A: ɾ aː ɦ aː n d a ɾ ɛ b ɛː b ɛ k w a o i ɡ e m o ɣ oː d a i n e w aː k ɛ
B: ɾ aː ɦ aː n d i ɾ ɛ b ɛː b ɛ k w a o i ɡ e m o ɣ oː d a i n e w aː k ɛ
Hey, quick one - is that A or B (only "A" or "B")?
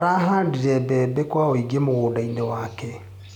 B